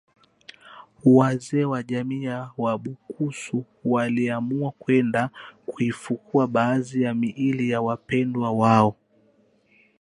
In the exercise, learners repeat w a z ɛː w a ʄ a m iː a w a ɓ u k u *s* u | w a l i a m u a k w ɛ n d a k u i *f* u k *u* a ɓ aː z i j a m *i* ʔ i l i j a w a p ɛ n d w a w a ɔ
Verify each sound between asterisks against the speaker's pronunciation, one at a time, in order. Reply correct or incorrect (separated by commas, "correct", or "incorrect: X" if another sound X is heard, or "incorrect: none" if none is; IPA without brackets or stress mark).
correct, correct, correct, correct